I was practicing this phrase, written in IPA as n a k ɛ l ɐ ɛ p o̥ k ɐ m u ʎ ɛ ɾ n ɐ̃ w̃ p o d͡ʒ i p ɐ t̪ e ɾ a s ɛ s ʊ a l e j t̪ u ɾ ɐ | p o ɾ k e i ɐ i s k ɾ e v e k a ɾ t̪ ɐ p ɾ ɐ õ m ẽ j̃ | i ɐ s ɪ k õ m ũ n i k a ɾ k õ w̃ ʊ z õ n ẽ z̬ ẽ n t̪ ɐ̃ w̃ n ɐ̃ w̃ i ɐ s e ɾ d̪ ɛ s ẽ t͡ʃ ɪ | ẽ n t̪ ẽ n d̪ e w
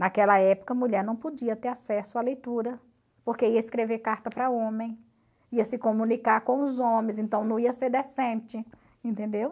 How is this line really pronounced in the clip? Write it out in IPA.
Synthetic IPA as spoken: n a k ɛ l ɐ ɛ p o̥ k ɐ m u ʎ ɛ ɾ n ɐ̃ w̃ p o d͡ʒ i ɐ t̪ e ɾ a s ɛ s ʊ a l e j t̪ u ɾ ɐ | p o ɾ k e i ɐ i s k ɾ e v e k a ɾ t̪ ɐ p ɾ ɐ õ m ẽ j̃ | i ɐ s ɪ k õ m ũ n i k a ɾ k õ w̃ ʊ z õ m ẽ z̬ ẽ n t̪ ɐ̃ w̃ n ɐ̃ w̃ i ɐ s e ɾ d̪ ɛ s ẽ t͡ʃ ɪ | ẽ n t̪ ẽ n d̪ e w